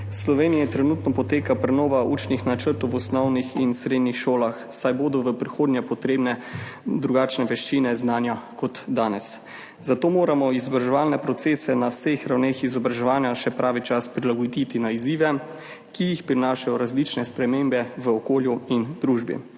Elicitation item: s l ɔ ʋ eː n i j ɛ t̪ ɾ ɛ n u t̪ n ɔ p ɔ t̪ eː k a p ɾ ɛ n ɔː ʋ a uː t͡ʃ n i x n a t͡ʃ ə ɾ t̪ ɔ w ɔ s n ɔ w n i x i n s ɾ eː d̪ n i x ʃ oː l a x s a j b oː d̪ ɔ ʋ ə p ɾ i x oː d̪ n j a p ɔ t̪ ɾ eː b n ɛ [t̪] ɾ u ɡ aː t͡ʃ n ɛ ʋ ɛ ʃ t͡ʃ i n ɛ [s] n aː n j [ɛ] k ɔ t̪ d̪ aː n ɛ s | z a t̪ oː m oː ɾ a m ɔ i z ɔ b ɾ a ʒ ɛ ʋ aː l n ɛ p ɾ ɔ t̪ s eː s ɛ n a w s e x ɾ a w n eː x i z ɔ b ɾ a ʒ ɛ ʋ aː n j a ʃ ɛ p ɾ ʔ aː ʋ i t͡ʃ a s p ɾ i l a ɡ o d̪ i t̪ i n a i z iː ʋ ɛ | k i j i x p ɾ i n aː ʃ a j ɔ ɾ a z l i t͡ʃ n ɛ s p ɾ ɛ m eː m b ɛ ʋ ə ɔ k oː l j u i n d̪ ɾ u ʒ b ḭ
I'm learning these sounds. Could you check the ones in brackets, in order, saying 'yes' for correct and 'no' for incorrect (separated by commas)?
no, no, no